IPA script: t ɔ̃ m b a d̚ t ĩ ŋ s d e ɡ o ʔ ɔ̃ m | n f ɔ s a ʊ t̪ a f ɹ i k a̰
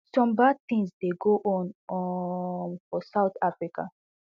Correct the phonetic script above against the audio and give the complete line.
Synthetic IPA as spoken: s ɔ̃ m b a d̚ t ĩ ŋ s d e ɡ o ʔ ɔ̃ n | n f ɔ s a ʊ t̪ a f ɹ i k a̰